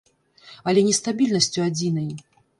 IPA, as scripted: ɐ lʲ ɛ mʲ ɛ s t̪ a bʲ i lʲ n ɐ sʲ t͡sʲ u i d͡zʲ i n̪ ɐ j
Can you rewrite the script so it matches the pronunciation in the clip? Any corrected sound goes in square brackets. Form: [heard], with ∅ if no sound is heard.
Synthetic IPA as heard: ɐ lʲ ɛ [nʲ] ɛ s t̪ a bʲ i lʲ n ɐ sʲ t͡sʲ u [a] d͡zʲ i n̪ ɐ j